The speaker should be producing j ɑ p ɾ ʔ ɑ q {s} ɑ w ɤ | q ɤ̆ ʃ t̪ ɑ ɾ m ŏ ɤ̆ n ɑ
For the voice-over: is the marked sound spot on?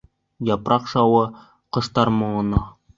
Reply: no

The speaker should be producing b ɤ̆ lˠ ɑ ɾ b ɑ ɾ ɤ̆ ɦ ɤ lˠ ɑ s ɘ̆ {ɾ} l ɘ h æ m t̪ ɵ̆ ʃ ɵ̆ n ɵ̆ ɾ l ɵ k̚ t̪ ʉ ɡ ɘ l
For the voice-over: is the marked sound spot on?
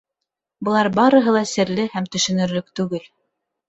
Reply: yes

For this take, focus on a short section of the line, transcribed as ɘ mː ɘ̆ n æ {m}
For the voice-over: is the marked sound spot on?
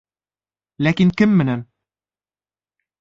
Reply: no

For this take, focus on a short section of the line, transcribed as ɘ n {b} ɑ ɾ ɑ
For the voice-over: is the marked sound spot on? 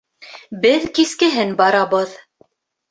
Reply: yes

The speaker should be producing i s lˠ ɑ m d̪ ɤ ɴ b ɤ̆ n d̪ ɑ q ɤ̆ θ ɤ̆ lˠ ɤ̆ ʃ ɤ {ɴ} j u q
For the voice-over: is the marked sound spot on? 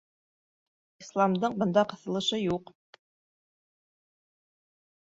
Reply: no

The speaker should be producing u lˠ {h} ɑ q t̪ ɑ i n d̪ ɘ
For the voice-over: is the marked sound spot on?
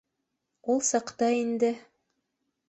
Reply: no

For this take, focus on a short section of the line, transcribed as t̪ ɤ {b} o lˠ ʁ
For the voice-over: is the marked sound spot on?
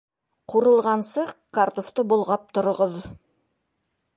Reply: yes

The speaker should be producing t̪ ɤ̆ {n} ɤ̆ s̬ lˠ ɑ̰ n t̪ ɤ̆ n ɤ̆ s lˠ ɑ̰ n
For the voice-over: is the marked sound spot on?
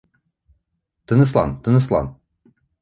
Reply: yes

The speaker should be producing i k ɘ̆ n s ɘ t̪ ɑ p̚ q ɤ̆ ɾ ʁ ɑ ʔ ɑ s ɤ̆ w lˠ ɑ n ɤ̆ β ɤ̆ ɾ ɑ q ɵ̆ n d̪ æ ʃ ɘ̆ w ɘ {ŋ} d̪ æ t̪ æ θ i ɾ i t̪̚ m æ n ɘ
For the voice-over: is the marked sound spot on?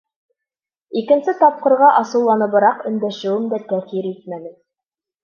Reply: no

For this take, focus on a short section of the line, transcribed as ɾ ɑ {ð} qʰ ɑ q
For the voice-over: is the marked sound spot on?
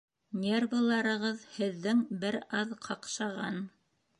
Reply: yes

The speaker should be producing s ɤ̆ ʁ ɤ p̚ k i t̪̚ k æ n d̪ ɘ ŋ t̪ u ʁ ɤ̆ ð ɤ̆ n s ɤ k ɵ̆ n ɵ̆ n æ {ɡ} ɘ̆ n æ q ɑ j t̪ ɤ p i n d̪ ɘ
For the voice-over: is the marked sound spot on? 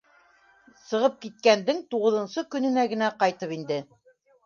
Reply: yes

